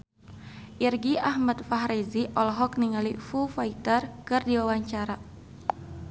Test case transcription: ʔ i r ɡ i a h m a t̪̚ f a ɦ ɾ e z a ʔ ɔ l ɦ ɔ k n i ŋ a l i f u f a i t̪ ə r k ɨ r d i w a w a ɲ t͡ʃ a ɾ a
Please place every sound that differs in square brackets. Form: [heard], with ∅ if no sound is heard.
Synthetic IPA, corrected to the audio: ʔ i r ɡ i a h m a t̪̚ f a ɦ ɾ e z [i] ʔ ɔ l ɦ ɔ k n i ŋ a l i f u f a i t̪ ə r k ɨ r d i w a w a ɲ t͡ʃ a ɾ a